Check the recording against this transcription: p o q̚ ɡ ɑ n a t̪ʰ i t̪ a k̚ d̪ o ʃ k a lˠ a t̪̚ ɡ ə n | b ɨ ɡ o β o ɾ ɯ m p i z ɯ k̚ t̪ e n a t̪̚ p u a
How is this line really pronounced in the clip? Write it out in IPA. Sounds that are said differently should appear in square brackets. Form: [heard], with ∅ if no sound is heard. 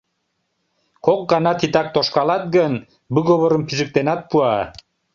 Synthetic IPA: [k] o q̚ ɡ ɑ n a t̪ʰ i t̪ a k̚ [t̪] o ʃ k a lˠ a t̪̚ ɡ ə n | b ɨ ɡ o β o ɾ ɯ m p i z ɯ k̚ t̪ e n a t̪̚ p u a

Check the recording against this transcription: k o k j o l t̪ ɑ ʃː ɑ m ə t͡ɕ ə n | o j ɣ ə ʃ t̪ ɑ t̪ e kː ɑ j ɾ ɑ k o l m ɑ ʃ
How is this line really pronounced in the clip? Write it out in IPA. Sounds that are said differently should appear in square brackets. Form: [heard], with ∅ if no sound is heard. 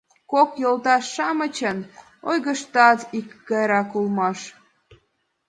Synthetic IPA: k o k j o l t̪ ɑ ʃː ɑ m ə t͡ɕ ə n | o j ɣ ə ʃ t̪ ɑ t̪ [i] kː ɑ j ɾ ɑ k [u] l m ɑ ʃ

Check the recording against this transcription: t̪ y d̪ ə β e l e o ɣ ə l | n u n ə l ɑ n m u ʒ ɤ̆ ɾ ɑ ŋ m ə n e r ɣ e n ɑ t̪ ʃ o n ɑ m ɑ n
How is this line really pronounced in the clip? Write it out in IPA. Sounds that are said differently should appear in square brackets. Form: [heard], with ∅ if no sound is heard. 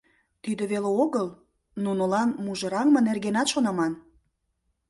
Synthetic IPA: t̪ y d̪ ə β e l e o ɣ ə l | n u n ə l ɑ n m u ʒ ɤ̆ ɾ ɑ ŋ m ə n e r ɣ e n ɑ t̪ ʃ o n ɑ m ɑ n

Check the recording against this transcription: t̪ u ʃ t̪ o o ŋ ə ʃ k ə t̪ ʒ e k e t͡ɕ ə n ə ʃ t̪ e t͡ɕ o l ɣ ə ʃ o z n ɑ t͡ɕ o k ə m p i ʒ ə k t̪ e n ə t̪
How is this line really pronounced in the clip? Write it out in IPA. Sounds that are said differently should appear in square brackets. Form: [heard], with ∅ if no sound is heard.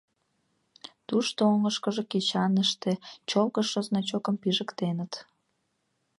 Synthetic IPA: t̪ u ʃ t̪ o o ŋ ə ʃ k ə [∅] ʒ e k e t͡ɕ [ɑ] n ə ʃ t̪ e t͡ɕ o l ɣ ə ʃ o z n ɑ t͡ɕ o k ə m p i ʒ ə k t̪ e n ə t̪

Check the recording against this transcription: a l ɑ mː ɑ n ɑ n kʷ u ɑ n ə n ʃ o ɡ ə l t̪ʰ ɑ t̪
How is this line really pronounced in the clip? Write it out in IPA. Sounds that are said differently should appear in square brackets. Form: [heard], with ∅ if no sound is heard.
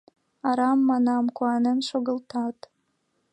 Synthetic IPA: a [ɾ] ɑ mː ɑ n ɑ [m] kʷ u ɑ n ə n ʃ o ɡ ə l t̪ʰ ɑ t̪

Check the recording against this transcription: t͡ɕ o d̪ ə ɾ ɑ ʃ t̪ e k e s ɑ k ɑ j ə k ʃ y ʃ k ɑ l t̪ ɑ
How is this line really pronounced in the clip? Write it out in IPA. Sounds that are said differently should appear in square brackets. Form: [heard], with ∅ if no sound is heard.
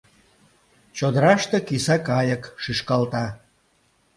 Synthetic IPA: t͡ɕ o d̪ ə ɾ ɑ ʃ t̪ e k [i] s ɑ k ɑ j ə k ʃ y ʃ k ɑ l t̪ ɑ

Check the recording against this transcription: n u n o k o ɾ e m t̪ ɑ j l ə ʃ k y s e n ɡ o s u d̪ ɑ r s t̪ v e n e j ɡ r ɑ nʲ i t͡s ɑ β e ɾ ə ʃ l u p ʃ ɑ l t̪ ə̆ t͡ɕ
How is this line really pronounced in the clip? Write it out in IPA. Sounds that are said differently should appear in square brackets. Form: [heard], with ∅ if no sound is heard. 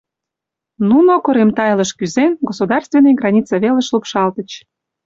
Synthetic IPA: n u n o k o ɾ e m t̪ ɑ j l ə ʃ k y [z] e n ɡ o s u d̪ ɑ r s t̪ v e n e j ɡ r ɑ nʲ i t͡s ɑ β e [l] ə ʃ l u p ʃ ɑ l t̪ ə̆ t͡ɕ

